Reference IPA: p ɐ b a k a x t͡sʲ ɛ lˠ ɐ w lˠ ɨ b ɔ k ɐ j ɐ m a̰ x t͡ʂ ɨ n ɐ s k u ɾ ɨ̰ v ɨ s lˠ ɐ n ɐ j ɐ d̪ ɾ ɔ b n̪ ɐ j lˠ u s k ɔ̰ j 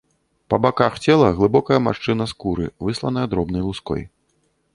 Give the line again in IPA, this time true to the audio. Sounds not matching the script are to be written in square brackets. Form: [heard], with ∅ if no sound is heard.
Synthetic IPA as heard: p ɐ b a k a x t͡sʲ ɛ lˠ ɐ [ɣ] lˠ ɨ b ɔ k ɐ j ɐ m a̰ [ʂ] t͡ʂ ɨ n ɐ s k u ɾ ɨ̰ v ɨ s lˠ ɐ n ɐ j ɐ d̪ ɾ ɔ b n̪ ɐ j lˠ u s k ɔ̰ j

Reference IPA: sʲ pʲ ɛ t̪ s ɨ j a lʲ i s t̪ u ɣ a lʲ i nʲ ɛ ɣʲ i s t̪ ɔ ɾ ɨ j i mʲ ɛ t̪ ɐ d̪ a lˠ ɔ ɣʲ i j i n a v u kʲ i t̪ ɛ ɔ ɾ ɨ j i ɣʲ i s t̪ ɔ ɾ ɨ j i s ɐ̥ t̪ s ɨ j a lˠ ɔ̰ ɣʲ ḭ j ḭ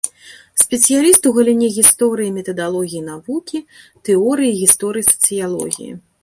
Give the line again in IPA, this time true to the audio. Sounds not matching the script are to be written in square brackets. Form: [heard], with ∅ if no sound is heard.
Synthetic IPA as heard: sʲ pʲ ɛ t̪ s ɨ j a lʲ i s t̪ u ɣ [ɐ] lʲ i nʲ ɛ ɣʲ i s t̪ ɔ ɾ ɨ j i mʲ ɛ t̪ ɐ d̪ a lˠ ɔ ɣʲ i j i n a v u kʲ i t̪ ɛ ɔ ɾ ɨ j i ɣʲ i s t̪ ɔ ɾ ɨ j i s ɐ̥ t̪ s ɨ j a lˠ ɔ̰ ɣʲ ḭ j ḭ

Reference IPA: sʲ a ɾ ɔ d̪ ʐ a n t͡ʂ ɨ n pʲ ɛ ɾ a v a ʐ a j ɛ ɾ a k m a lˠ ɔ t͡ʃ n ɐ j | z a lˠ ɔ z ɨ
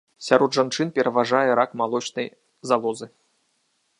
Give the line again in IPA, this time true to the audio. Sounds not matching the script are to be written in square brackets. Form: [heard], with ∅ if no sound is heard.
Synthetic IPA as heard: sʲ a ɾ ɔ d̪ ʐ a n t͡ʂ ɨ n pʲ ɛ ɾ [ɐ] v a ʐ a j ɛ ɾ a k m a lˠ ɔ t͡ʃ n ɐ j | z a lˠ ɔ z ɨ

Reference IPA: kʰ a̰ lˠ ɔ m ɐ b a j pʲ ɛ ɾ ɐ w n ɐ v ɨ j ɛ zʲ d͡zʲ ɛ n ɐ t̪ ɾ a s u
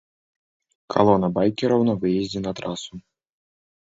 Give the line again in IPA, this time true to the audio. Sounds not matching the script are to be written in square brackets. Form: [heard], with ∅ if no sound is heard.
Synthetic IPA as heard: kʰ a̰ lˠ ɔ [n] ɐ b a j [kʲ] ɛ ɾ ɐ w n ɐ v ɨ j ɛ zʲ d͡zʲ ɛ n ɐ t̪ ɾ a s u

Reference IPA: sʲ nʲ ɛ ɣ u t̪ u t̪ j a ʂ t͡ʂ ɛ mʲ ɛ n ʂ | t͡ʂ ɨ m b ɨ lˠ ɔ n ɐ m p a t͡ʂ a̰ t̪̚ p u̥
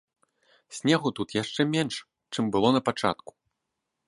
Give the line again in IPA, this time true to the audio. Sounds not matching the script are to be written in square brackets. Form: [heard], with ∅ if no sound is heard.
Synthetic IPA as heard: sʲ nʲ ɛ ɣ u t̪ u t̪ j a ʂ t͡ʂ ɛ mʲ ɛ n ʂ | t͡ʂ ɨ m b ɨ lˠ ɔ n ɐ [∅] p a t͡ʂ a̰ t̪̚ [k] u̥

